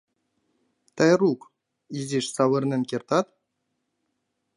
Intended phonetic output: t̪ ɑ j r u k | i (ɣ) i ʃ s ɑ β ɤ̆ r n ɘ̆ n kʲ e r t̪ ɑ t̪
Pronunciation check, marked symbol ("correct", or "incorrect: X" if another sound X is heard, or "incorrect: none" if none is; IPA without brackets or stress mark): incorrect: z